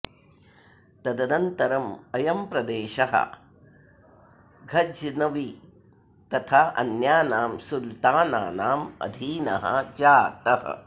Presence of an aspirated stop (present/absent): present